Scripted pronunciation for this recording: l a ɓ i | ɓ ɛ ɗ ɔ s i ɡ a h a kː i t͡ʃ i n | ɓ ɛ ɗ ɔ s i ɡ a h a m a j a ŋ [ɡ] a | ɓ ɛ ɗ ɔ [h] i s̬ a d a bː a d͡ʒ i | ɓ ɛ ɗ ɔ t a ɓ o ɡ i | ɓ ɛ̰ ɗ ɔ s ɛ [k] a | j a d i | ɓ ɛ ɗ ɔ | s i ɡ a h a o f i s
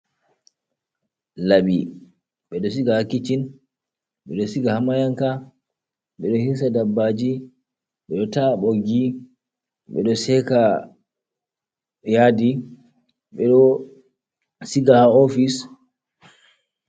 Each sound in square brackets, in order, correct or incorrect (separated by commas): incorrect, correct, correct